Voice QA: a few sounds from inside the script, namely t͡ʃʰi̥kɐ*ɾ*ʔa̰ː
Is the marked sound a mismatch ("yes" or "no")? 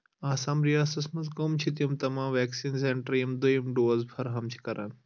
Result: no